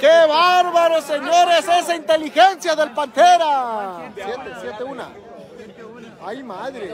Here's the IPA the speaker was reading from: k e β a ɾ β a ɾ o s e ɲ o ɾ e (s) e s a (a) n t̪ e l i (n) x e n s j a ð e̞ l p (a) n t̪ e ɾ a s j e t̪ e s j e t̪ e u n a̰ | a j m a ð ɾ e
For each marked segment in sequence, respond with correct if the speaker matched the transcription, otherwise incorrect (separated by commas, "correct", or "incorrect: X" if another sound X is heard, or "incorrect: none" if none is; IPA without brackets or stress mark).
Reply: correct, incorrect: i, incorrect: none, correct